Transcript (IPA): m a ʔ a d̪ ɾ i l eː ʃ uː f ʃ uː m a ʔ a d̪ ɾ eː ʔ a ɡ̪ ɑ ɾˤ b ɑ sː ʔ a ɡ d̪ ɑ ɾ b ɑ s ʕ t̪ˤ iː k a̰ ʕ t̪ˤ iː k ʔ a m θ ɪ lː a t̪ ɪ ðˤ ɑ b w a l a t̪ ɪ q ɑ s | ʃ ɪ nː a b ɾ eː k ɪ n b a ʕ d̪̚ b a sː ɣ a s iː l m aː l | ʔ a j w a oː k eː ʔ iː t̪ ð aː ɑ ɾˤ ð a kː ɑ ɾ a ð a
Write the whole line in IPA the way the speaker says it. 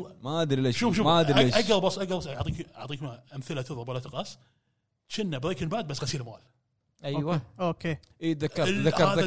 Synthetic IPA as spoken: m a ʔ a d̪ ɾ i l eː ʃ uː f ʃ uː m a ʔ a d̪ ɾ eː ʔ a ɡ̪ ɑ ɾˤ b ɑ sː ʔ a ɡ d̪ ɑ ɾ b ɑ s ʕ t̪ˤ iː k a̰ ʕ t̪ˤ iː k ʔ a m θ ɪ l a t̪ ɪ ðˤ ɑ b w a l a t̪ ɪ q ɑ s | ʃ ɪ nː a b ɾ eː k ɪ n b a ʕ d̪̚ b a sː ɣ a s iː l m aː l | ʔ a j w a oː k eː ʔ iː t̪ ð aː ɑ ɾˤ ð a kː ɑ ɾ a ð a